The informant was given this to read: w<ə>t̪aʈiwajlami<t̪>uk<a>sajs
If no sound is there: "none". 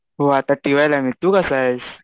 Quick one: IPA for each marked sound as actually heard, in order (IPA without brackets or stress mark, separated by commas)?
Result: a, t̪, a